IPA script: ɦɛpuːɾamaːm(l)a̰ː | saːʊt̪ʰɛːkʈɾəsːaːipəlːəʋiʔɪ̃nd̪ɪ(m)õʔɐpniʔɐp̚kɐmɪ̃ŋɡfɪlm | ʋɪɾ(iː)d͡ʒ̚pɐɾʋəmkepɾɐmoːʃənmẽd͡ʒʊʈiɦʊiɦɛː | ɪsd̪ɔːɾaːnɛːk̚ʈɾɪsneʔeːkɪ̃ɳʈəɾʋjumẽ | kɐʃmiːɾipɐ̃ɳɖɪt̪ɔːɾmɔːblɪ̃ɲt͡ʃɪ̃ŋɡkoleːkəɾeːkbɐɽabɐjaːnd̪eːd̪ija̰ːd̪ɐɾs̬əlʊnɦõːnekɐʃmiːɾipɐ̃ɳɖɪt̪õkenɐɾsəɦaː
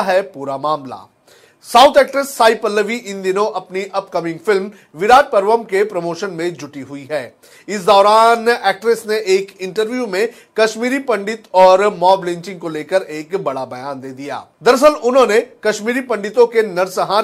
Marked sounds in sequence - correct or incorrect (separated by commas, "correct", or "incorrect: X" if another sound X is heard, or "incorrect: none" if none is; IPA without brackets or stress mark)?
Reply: correct, incorrect: n, incorrect: aː